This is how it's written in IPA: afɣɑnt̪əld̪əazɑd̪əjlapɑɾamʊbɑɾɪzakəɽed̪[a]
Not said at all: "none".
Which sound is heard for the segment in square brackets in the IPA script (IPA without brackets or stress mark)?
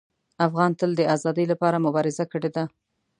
a